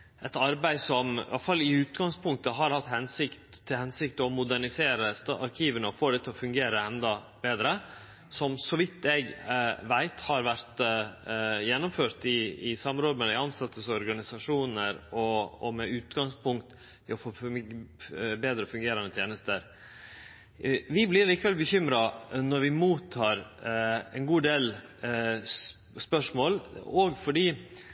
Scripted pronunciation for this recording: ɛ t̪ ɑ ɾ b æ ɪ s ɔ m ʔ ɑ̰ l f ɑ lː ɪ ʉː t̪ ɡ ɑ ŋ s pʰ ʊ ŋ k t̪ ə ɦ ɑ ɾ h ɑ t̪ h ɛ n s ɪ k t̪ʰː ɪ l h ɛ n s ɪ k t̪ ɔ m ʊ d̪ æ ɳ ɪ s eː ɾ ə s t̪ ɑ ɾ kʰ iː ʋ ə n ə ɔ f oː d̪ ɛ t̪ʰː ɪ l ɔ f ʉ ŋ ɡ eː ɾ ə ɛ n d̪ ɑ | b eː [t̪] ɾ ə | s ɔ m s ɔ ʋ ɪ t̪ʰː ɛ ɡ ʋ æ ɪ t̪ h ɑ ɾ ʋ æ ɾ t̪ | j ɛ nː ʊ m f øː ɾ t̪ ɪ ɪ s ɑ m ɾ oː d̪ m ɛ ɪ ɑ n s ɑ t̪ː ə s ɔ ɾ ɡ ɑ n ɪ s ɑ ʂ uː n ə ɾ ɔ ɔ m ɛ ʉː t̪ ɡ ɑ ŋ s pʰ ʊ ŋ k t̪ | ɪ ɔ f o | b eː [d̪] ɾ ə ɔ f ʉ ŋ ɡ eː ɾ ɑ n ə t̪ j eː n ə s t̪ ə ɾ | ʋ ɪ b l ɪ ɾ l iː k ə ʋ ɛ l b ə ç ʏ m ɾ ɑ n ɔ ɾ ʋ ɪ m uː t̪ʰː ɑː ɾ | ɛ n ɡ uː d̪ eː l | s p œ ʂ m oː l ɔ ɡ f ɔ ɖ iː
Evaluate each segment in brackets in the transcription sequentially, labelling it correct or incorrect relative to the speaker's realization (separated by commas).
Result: incorrect, correct